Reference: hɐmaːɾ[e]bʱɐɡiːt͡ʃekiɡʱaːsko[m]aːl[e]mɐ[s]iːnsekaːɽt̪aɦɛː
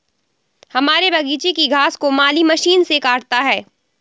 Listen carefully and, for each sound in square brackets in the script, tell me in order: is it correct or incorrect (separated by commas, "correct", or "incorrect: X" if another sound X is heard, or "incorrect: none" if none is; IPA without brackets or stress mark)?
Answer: correct, correct, incorrect: i, incorrect: ʃ